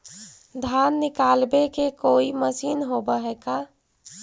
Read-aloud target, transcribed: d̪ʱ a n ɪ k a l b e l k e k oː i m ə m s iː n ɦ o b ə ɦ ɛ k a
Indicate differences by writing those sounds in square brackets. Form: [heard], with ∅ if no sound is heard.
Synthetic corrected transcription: d̪ʱ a [nː] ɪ k a l b e [∅] k e k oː i m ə [∅] s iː n ɦ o b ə ɦ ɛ k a